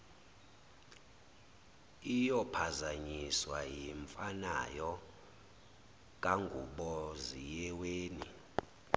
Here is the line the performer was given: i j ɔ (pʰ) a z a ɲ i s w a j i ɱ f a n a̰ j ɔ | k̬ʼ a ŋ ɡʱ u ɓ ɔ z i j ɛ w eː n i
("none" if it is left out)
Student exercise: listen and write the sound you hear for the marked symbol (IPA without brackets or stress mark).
pʰ